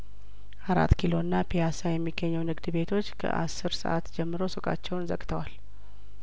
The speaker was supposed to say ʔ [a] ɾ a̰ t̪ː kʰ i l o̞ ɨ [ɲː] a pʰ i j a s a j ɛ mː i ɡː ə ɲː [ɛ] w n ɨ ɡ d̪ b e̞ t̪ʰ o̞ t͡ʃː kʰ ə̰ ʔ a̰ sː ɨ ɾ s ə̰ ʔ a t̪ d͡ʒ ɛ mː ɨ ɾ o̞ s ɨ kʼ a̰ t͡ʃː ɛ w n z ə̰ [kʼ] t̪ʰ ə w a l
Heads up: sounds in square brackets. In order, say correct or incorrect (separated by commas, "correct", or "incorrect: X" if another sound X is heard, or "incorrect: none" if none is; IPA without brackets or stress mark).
correct, incorrect: nː, correct, correct